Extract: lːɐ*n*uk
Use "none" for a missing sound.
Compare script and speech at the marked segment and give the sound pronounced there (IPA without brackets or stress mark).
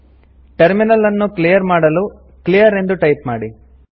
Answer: nː